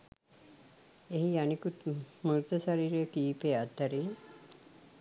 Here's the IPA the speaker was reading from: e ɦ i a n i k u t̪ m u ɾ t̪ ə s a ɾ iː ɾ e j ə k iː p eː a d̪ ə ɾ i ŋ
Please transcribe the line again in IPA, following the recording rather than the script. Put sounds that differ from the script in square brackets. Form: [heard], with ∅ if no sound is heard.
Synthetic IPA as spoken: e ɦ i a n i k u t̪ m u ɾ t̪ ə s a ɾ iː ɾ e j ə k iː p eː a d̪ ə ɾ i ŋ